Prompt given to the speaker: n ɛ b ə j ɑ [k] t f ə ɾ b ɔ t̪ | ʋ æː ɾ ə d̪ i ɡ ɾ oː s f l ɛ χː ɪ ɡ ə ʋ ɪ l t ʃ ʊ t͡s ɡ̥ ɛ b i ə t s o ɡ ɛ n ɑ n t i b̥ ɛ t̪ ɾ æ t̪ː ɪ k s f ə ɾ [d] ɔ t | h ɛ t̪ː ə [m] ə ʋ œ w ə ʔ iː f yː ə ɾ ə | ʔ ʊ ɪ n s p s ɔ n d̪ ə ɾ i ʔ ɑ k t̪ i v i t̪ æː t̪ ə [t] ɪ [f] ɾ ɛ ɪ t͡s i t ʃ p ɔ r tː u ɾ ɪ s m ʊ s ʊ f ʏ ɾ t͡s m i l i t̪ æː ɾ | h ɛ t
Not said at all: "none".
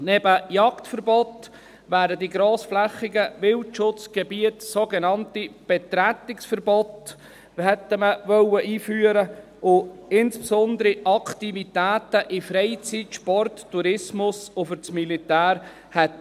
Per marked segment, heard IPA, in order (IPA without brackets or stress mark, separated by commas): k, b, m, ʔ, f